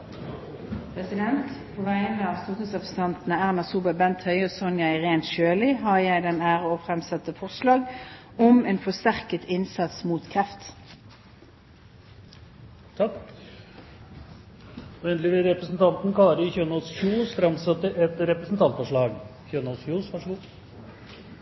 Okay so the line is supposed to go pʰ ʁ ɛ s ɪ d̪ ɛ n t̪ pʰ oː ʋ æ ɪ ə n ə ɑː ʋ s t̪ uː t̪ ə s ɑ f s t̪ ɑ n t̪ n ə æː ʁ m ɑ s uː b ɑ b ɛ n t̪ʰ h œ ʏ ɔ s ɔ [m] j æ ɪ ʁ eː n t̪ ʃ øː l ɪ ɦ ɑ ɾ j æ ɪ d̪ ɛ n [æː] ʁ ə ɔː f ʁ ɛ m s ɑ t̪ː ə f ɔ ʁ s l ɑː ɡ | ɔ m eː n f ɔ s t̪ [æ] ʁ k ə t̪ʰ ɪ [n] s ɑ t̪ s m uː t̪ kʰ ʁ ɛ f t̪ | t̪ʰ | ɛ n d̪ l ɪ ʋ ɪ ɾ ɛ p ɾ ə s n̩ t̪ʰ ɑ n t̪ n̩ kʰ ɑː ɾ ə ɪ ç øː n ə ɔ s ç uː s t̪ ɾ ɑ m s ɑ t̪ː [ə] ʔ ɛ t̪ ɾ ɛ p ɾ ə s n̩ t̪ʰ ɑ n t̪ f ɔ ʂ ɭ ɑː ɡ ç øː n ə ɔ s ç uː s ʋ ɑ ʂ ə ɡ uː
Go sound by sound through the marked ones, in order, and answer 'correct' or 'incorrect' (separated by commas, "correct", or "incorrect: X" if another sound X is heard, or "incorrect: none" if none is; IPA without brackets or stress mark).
incorrect: n, correct, correct, correct, correct